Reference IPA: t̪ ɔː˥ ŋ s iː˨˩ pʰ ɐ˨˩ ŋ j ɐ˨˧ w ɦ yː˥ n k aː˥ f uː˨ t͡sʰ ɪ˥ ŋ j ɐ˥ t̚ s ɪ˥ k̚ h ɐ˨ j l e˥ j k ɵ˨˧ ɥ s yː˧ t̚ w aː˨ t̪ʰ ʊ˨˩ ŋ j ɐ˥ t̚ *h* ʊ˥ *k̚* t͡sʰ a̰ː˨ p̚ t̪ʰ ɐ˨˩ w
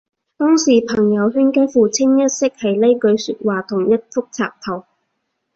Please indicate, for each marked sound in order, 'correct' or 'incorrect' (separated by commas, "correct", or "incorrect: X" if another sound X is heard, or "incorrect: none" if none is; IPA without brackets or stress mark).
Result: incorrect: f, correct